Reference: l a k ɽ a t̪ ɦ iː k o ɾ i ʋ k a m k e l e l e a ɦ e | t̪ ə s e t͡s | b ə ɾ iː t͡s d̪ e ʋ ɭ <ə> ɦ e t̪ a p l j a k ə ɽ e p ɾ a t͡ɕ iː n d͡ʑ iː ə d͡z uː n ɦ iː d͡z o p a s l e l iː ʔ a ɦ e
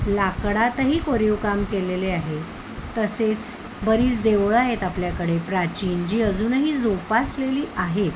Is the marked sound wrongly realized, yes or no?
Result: yes